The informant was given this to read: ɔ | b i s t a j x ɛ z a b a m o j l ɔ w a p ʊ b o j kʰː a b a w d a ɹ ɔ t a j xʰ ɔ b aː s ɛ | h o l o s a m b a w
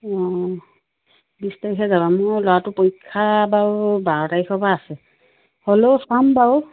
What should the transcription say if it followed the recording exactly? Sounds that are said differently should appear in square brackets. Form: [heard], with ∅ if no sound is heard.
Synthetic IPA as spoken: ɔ | b i s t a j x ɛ z a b a m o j l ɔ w a [t] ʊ [p] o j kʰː a b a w [b] a ɹ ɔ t a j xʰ ɔ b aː s ɛ | h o l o s a m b a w